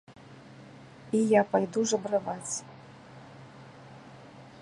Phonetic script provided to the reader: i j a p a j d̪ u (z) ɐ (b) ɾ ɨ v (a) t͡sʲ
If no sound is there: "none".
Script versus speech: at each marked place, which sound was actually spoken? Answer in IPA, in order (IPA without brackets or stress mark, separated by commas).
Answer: ʐ, b, a